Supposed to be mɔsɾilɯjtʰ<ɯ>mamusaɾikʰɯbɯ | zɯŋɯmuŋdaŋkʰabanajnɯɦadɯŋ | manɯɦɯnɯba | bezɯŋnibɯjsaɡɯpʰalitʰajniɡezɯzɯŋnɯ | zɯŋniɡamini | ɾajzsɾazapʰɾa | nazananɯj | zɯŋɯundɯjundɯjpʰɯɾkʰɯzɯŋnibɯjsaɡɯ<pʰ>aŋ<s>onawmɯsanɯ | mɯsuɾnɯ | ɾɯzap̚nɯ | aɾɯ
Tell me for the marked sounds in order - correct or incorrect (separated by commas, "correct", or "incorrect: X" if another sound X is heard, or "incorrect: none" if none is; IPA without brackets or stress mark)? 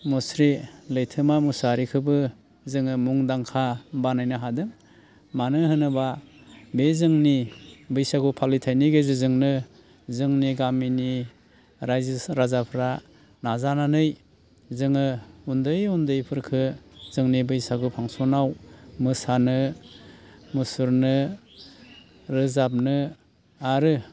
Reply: correct, correct, correct